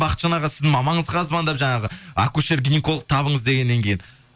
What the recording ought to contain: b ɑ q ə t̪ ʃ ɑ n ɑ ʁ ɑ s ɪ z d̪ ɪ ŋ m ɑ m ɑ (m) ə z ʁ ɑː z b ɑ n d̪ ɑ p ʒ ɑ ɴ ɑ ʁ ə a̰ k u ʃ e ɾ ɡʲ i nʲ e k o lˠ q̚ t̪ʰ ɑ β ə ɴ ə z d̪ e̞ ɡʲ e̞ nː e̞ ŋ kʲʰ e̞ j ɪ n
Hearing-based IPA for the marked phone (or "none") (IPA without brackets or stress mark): ɴ